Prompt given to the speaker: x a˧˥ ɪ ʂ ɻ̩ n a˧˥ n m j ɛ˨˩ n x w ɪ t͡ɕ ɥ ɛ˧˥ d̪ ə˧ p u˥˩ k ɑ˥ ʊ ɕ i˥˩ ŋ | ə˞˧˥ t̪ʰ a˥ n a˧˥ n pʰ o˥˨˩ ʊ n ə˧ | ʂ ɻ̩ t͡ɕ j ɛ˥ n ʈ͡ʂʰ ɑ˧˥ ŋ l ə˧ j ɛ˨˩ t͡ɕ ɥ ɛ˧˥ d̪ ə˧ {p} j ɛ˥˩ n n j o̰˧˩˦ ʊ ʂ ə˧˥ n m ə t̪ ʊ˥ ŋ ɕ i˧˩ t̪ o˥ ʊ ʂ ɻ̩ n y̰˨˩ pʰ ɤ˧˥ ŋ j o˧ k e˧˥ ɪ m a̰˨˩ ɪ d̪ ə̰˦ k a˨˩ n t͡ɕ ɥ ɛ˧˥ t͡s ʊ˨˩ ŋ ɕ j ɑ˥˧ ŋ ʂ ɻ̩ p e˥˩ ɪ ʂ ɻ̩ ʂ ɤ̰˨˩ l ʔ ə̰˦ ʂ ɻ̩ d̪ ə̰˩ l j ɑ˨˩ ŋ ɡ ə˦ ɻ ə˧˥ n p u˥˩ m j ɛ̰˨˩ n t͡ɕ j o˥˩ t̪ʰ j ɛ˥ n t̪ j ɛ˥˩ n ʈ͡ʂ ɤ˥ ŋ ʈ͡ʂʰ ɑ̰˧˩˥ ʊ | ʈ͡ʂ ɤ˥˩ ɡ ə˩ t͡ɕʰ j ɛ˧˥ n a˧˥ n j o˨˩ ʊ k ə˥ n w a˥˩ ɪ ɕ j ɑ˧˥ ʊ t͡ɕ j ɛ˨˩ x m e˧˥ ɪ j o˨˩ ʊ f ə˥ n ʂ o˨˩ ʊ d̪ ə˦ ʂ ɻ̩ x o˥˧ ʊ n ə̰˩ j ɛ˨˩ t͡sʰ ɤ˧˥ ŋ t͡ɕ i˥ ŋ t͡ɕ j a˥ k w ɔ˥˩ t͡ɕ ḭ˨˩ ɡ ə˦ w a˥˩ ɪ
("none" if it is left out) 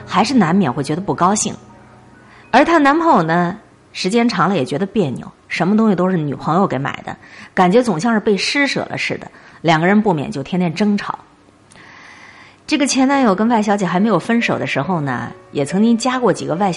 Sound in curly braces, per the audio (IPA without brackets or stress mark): p